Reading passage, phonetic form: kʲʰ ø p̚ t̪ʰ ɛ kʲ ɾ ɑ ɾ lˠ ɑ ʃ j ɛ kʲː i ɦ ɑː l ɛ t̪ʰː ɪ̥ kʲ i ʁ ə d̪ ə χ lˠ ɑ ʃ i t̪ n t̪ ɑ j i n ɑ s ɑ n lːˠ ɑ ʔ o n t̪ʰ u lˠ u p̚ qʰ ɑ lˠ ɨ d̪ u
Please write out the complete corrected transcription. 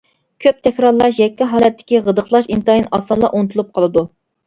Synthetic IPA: kʲʰ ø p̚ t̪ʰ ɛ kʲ ɾ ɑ ɾ lˠ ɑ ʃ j ɛ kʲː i ɦ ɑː l ɛ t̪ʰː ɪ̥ kʲ i ʁ ə d̪ ə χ lˠ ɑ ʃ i n t̪ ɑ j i n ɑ s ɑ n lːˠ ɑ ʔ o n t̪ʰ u lˠ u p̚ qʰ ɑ lˠ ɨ d̪ u